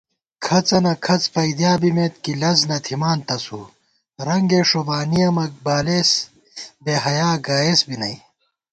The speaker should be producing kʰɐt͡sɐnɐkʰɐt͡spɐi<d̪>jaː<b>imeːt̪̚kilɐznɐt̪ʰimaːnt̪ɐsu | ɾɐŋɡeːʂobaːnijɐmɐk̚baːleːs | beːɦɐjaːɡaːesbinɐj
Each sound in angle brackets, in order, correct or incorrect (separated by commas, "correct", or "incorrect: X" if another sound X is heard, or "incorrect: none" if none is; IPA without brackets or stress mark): correct, correct